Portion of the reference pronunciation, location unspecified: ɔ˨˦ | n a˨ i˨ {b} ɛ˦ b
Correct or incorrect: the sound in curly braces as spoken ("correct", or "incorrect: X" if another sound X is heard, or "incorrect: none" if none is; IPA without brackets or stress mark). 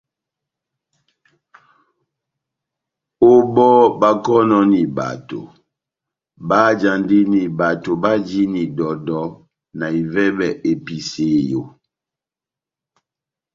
incorrect: v